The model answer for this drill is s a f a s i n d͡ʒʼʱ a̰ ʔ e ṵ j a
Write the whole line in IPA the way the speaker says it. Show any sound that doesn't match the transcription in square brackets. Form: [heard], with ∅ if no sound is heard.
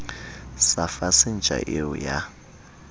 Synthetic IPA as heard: s a f a s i n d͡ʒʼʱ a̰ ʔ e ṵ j a

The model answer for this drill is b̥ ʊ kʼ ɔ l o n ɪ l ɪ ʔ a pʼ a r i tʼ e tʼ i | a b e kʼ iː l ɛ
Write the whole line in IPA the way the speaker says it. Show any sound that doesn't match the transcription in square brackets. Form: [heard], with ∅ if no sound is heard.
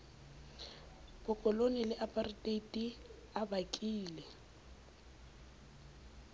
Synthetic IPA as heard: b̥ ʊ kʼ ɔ l o n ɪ l ɪ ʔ a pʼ a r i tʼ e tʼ i | a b [a] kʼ iː l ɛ

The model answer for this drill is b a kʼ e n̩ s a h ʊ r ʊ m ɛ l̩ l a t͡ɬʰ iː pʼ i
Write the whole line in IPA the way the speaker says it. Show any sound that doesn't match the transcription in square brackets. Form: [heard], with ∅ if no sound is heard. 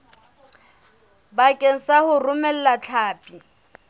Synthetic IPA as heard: b a kʼ e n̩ s a h ʊ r ʊ m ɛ l̩ l a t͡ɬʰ [aː] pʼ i

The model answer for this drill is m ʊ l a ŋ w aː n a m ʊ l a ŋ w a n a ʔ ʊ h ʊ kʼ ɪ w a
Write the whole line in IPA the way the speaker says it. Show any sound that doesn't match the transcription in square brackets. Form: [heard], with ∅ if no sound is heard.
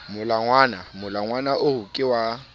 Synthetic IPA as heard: m ʊ l a ŋ w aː n a m ʊ l a ŋ w a n a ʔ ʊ h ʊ kʼ ɪ w a

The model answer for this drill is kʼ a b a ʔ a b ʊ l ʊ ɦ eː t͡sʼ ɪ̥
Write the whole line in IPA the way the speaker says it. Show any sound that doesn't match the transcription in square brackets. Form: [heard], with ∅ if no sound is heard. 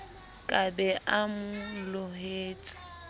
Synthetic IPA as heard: kʼ a b [ɛ] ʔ a [m] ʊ l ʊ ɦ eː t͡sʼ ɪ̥

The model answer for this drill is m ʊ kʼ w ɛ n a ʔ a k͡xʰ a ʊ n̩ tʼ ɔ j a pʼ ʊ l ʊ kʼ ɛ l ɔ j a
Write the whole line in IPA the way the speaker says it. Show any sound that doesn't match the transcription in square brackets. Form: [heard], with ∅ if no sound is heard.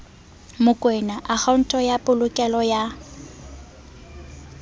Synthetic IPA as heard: m ʊ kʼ w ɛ n a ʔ a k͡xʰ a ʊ n̩ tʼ ɔ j a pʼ ʊ l ʊ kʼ ɛ l ɔ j a

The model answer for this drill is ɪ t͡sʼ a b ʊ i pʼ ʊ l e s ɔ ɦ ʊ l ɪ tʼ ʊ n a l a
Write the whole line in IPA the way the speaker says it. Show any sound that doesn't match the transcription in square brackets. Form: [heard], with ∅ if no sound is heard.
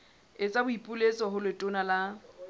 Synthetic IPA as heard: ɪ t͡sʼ a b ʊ i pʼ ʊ l e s ɔ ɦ ʊ l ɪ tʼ ʊ n a l a

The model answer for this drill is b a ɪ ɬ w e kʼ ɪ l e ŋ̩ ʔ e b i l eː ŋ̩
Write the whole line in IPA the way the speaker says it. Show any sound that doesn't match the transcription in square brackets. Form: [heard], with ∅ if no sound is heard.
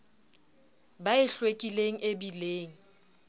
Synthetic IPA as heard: b a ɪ ɬ w e kʼ [i] l e ŋ̩ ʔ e b i l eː ŋ̩

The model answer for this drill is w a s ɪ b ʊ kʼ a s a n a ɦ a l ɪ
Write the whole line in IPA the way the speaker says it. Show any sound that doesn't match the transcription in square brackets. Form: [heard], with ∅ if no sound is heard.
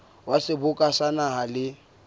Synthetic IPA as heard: w a s ɪ b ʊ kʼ a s a n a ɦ a l ɪ

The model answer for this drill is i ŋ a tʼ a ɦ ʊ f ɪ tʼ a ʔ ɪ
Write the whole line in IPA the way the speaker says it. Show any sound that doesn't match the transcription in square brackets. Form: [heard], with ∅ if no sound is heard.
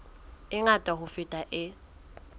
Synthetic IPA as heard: [ɪ] ŋ a tʼ a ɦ ʊ f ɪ tʼ a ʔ ɪ

